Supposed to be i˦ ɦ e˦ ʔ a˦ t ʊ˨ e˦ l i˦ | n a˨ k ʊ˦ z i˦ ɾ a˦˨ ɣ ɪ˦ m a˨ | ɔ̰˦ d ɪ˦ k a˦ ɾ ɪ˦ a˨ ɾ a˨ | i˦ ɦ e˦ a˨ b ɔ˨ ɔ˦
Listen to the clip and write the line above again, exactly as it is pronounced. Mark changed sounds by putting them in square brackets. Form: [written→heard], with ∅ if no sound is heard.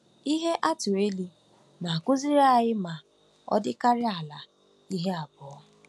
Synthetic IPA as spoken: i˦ ɦ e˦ ʔ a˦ t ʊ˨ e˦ l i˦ | n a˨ k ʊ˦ z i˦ ɾ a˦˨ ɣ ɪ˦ m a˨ | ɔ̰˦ d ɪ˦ k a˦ ɾ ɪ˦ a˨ [ɾ→l] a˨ | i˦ ɦ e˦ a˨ b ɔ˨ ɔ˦